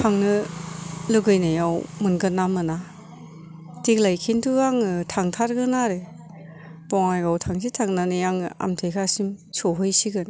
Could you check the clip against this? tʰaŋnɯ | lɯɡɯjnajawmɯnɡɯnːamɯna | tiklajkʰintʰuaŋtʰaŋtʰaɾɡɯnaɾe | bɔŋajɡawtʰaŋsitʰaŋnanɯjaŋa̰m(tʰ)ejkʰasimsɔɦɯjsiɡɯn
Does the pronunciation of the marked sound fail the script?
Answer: no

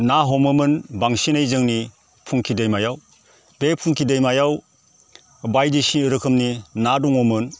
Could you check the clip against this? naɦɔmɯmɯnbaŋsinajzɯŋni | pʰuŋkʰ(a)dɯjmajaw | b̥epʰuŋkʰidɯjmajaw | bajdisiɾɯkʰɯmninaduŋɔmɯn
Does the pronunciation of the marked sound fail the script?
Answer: yes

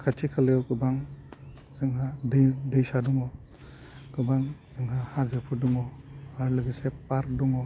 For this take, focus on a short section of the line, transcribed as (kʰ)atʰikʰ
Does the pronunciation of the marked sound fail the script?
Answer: no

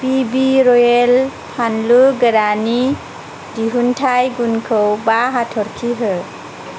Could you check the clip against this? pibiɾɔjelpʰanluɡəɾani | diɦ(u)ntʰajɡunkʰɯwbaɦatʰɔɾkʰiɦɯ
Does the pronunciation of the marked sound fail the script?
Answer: no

